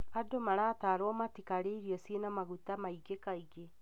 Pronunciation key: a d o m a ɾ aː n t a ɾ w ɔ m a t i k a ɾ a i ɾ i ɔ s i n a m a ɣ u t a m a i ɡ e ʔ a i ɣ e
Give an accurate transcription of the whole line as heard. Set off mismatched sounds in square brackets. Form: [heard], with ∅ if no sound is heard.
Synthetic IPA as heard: a d o m a ɾ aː [∅] t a ɾ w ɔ m a t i k a ɾ [e] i ɾ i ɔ s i n a m a ɣ u t a m a i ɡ e [k] a i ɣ e